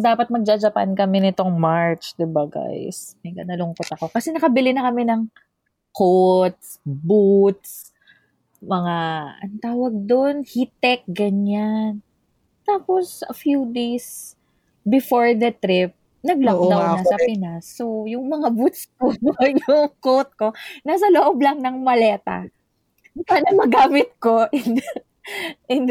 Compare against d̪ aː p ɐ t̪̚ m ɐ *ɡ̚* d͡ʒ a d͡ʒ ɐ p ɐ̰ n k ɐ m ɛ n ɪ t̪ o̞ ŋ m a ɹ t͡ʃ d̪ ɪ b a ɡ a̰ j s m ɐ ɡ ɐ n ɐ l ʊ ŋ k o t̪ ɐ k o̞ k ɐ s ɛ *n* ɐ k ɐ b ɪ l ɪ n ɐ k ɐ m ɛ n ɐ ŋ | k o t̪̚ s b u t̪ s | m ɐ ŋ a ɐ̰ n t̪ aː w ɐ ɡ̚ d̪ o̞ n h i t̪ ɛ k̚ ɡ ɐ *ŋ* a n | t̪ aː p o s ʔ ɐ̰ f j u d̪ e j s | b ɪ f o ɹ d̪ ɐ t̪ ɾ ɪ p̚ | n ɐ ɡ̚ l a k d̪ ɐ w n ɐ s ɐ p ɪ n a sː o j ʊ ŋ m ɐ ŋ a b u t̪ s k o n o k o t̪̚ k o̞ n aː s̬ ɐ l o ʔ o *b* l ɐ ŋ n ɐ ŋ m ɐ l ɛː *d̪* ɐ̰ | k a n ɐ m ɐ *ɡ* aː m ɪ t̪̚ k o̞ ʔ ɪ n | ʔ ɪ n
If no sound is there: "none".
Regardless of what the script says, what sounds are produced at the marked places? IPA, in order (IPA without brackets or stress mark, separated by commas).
ɡ̚, n, ɲ, b, t̪, ɡ